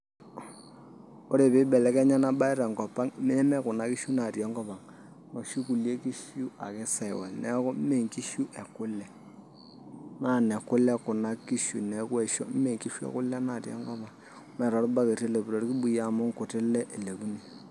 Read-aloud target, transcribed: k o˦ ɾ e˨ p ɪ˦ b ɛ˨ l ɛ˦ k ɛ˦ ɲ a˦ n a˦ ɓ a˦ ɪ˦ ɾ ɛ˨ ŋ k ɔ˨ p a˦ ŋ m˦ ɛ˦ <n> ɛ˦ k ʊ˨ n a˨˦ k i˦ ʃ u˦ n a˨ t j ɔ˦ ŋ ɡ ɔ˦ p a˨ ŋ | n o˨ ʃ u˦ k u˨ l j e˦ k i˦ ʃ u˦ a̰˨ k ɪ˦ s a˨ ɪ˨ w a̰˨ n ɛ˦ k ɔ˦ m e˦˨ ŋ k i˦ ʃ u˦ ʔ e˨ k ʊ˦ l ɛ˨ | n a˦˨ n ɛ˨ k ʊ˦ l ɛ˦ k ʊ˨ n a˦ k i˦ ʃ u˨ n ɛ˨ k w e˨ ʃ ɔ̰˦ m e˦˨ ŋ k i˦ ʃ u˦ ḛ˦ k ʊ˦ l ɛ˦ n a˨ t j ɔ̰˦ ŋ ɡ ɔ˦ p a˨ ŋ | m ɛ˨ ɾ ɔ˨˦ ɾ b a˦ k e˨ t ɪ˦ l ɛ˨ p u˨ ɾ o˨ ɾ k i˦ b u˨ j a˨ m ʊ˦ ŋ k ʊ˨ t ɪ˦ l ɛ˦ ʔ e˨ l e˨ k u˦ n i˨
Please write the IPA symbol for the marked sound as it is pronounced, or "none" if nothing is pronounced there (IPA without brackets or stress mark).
m